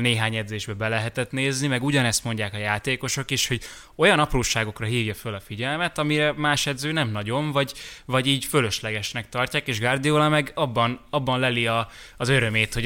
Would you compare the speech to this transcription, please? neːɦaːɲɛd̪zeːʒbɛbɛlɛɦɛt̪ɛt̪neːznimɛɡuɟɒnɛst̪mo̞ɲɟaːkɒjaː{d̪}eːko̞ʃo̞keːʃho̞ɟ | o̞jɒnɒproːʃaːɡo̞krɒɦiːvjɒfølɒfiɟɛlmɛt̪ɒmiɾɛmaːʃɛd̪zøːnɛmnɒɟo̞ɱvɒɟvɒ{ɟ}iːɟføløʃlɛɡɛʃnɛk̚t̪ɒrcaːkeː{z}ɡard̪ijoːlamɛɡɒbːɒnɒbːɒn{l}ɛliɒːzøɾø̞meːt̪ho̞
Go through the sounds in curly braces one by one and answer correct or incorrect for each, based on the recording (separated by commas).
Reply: incorrect, correct, incorrect, correct